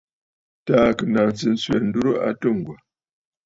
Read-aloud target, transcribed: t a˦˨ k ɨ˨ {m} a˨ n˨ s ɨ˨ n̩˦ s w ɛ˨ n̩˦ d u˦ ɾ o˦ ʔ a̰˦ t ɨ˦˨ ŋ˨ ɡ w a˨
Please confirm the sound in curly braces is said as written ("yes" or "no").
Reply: no